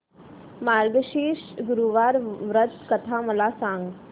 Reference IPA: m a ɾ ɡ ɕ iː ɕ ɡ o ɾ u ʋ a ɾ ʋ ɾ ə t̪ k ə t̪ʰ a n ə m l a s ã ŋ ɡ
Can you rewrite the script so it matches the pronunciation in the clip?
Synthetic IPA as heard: m a ɾ ɡ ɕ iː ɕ ɡ u ɾ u ʋ a ɾ ʋ ɾ ə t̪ k ə t̪ʰ a m ə l a s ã ŋ ɡ